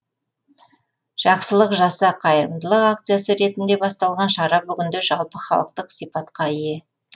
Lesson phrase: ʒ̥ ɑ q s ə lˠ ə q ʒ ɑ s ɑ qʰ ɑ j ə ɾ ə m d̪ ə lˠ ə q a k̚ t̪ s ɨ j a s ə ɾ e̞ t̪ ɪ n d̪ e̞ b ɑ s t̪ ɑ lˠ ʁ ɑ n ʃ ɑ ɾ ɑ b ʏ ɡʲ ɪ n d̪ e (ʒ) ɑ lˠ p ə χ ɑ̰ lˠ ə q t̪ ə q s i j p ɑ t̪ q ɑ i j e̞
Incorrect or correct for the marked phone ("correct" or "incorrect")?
correct